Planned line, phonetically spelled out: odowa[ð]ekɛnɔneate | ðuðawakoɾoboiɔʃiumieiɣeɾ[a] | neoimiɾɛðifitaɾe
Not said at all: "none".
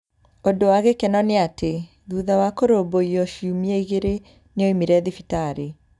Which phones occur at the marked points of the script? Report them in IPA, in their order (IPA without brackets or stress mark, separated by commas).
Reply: ɣ, e